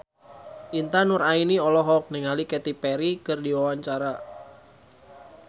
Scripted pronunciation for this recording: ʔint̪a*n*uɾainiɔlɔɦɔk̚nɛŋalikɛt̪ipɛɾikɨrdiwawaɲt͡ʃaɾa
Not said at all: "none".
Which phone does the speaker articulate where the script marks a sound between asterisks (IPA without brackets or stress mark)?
n